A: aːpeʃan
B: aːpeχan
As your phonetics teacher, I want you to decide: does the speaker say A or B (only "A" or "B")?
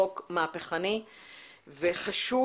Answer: B